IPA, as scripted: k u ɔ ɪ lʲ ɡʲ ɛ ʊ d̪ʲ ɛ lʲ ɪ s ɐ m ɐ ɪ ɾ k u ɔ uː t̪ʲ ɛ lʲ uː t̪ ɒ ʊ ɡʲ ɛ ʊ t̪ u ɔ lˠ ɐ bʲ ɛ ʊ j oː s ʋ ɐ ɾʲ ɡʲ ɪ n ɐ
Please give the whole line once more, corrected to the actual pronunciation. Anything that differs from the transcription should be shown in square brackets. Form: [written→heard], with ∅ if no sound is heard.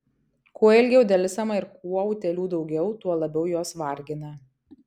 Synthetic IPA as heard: k u ɔ ɪ lʲ ɡʲ ɛ ʊ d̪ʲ ɛ lʲ ɪ s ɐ m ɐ ɪ ɾ k u ɔ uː t̪ʲ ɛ lʲ uː [t̪→d̪] ɒ ʊ ɡʲ ɛ ʊ t̪ u ɔ lˠ ɐ bʲ ɛ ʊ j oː s ʋ ɐ ɾʲ ɡʲ ɪ n ɐ